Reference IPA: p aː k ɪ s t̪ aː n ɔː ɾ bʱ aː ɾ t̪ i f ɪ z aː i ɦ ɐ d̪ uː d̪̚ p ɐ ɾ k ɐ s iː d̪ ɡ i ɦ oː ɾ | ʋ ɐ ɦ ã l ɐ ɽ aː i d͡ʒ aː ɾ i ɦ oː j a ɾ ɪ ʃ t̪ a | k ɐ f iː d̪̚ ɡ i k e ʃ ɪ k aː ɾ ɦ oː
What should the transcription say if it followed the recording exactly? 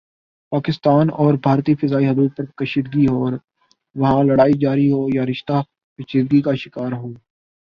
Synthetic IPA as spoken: p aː k ɪ s t̪ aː n ɔː ɾ bʱ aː ɾ t̪ i f ɪ z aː i ɦ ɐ d̪ uː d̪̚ p ɐ ɾ k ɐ ʃ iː d̪ ɡ i ɦ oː ɾ | ʋ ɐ ɦ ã l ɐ ɽ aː i d͡ʒ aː ɾ i ɦ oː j a ɾ ɪ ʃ t̪ a | k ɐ ʃ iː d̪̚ ɡ i k a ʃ ɪ k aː ɾ ɦ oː